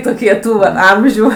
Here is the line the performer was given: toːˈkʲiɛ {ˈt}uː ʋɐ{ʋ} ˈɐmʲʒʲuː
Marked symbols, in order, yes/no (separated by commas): yes, no